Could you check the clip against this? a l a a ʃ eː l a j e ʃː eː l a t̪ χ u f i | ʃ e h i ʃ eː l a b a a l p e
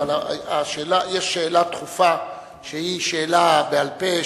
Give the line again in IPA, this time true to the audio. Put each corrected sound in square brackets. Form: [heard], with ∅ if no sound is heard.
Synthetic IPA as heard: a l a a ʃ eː l a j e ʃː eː l a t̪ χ u f [a] | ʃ e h i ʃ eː l a b [e] a l p e